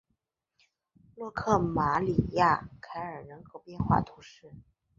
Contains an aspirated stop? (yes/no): yes